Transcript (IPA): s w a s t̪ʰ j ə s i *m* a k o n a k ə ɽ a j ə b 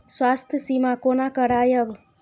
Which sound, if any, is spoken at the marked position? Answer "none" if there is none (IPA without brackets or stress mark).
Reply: m